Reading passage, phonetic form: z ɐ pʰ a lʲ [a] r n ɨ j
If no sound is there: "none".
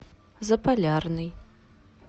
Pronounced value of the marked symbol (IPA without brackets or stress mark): a